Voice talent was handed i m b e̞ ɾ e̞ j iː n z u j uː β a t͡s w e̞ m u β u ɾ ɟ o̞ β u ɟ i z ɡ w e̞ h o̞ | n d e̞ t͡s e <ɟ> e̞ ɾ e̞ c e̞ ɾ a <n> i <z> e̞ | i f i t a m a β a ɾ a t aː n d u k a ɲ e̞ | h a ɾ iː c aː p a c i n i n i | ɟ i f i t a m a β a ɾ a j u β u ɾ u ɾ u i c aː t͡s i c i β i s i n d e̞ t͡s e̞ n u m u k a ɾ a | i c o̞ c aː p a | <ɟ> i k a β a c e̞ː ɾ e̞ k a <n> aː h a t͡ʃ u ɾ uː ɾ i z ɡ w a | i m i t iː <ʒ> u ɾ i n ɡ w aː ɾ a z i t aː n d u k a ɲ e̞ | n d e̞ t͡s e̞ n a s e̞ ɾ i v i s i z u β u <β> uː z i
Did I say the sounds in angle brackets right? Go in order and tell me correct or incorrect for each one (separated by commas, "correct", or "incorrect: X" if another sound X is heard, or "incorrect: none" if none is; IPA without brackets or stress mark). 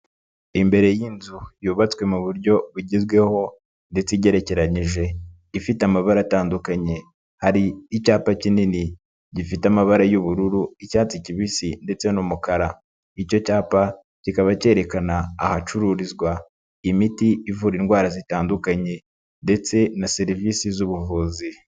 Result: correct, incorrect: ɲ, incorrect: ʒ, incorrect: c, correct, incorrect: v, incorrect: v